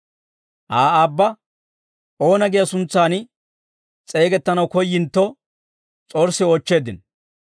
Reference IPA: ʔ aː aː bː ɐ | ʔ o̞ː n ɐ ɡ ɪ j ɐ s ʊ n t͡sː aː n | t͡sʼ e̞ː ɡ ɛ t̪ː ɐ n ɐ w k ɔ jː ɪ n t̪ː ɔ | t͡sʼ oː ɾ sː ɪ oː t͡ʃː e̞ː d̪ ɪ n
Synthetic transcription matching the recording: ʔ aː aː bː ɐ | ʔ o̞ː n ɐ ɡ ɪ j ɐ s ʊ n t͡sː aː n | t͡sʼ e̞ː ɡ ɛ t̪ː ɐ n ɐ w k ɔ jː ɪ n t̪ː ɔ | t͡sʼ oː ɾ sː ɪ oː t͡ʃː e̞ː d̪ ɪ n